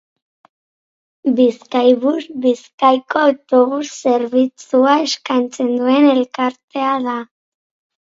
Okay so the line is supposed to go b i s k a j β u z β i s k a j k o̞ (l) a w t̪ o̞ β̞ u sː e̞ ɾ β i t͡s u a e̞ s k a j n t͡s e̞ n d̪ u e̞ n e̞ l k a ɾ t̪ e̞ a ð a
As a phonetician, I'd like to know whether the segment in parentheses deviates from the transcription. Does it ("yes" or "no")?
yes